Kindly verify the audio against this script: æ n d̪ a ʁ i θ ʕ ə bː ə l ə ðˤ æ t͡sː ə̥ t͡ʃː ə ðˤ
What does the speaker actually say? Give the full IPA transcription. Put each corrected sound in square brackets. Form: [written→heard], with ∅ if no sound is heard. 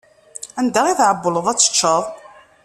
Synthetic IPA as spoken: æ n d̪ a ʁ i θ ʕ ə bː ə l ə ðˤ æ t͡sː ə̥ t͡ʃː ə ðˤ